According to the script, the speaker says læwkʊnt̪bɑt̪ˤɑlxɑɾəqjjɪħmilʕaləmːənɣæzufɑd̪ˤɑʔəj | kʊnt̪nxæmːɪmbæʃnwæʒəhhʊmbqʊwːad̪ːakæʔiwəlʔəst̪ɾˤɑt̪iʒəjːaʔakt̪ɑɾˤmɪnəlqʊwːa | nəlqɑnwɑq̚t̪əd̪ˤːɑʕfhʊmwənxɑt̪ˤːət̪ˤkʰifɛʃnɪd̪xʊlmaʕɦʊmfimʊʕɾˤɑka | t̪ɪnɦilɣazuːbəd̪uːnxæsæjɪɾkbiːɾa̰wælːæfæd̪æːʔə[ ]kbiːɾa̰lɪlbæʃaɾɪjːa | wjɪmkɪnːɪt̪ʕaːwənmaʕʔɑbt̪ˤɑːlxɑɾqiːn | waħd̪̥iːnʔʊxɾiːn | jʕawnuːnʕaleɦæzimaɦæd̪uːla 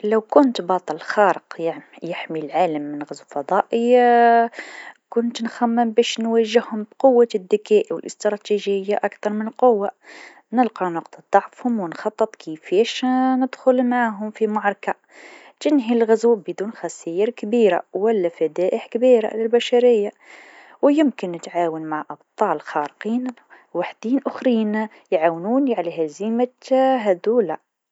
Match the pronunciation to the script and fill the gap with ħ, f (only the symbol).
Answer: ħ